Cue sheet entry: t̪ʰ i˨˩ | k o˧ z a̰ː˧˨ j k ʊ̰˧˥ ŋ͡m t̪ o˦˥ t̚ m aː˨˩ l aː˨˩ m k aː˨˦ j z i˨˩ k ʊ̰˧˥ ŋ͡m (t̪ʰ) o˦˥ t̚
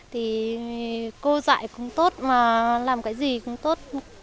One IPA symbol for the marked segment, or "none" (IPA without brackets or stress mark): t̪